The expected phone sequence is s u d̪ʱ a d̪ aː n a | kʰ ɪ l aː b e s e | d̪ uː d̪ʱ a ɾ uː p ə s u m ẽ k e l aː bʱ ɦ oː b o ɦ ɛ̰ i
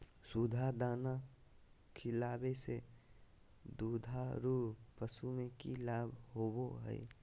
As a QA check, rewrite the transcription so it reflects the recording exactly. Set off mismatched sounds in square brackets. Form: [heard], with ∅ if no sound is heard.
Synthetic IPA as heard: s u d̪ʱ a d̪ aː n a | kʰ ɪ l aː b e s e | d̪ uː d̪ʱ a ɾ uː p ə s u m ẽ k [i] l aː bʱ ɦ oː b o ɦ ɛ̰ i